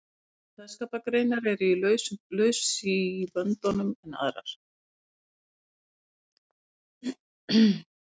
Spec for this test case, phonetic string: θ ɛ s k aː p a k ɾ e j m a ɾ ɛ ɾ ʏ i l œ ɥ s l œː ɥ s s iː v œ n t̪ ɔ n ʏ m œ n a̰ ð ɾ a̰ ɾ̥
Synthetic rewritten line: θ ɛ s k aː p a k ɾ e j n a ɾ ɛ ɾ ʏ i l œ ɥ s l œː ɥ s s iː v œ n t̪ ɔ n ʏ m ɛ n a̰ ð ɾ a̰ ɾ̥